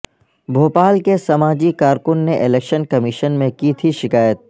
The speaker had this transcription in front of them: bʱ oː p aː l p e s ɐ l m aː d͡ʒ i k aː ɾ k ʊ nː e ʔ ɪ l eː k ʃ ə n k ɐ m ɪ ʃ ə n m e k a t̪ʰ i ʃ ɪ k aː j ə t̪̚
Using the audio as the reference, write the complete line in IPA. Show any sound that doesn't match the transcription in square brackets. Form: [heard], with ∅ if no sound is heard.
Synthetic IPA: bʱ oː p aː l [k] e s ɐ [∅] m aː d͡ʒ i k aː ɾ k ʊ nː e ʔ ɪ l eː k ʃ ə n k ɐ m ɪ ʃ ə n m [ẽ] k [i] t̪ʰ i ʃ ɪ k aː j ə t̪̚